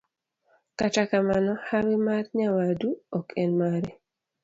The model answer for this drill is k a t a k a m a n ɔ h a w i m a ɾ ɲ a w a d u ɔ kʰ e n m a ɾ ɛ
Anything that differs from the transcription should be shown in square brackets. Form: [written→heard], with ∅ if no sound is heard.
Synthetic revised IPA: k a t a k a m a n ɔ h a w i m a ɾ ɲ a w a d u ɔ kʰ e n m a ɾ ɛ